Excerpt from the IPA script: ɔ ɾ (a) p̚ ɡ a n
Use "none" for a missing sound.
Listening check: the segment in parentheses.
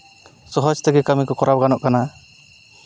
a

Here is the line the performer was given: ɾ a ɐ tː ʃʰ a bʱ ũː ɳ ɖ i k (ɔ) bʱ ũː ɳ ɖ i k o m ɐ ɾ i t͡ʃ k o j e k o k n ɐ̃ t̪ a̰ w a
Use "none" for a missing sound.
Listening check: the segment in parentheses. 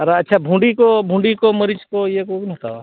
o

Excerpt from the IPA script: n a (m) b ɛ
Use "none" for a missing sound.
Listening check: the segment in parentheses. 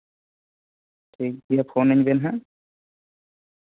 ɲ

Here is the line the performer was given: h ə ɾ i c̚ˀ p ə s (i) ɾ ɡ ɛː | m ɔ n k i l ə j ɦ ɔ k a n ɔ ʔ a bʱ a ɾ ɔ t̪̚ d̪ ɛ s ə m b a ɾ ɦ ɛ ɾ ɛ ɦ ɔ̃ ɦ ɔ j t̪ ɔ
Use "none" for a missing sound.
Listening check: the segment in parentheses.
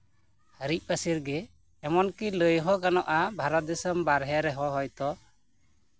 i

